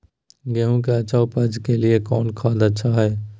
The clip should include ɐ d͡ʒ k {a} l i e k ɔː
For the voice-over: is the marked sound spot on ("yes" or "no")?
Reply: no